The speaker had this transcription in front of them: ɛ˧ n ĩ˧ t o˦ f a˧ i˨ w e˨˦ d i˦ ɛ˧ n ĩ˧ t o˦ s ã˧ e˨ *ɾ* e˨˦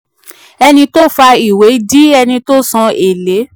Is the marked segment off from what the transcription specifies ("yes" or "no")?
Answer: yes